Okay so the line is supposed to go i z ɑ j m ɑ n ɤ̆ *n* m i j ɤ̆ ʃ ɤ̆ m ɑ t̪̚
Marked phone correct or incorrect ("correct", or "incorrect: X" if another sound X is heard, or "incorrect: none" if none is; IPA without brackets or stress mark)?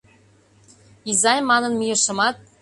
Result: correct